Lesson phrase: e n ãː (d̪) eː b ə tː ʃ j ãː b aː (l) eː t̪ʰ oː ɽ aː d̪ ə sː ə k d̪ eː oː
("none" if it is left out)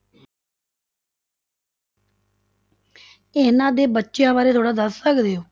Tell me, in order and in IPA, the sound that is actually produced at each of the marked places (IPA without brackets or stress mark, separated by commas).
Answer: d̪, ɾ